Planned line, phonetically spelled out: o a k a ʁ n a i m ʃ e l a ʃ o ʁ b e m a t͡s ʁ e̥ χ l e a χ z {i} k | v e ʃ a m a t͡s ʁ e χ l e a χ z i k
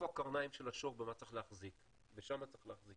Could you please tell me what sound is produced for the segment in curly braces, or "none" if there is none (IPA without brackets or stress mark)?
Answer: i